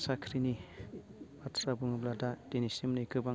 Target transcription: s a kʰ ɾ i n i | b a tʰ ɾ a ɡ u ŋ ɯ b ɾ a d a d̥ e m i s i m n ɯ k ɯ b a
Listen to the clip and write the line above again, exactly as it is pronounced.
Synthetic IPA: s a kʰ ɾ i n i | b a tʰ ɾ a b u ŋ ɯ b l a d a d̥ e n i s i m n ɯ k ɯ b a